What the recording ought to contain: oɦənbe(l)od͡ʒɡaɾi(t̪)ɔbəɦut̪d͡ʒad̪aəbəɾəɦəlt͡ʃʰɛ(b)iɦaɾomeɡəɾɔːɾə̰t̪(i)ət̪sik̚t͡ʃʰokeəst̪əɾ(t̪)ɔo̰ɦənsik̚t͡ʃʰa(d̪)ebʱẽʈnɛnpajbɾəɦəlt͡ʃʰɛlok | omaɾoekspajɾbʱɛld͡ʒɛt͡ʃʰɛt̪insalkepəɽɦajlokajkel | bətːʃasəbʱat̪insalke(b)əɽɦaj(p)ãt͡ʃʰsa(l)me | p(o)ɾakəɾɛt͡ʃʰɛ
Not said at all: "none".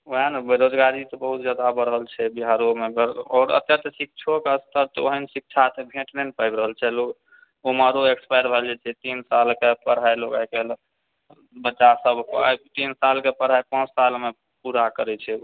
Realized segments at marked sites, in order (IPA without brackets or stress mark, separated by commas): ɾ, t̪, b, j, t̪, t̪, p, p, l, u